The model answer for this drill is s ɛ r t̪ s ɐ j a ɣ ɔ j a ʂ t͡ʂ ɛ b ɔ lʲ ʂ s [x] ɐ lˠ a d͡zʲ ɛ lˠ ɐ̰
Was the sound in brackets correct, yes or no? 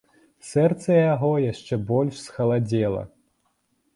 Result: yes